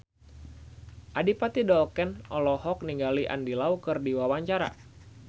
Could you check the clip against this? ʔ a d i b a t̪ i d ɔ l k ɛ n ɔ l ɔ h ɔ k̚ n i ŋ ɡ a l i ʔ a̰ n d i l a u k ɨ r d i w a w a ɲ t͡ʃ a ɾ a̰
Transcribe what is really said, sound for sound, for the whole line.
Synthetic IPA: ʔ a d i p a t̪ i d ɔ l k ɛ n ɔ l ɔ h ɔ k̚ n i ŋ ɡ a l i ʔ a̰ n d i l a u k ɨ r d i w a w a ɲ t͡ʃ a ɾ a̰